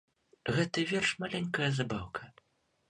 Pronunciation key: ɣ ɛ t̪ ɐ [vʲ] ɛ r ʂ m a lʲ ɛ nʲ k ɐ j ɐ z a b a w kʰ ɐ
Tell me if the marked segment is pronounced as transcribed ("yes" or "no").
yes